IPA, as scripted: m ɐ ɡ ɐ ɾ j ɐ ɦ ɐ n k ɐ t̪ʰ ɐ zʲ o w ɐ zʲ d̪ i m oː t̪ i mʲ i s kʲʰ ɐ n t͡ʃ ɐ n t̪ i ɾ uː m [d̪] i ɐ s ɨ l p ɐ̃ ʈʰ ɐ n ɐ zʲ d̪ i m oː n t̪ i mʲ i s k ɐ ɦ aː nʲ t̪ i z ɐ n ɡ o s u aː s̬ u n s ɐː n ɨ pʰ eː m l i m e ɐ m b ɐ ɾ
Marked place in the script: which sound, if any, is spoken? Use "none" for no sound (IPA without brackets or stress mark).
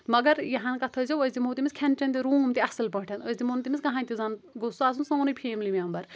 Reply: t̪